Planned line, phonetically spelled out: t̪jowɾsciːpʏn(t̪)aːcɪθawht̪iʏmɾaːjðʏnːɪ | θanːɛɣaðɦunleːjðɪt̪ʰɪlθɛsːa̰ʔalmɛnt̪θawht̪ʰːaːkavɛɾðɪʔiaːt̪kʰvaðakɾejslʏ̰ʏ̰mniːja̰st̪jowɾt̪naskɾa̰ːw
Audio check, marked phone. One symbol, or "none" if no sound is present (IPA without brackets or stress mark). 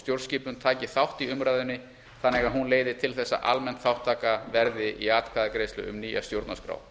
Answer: t̪ʰ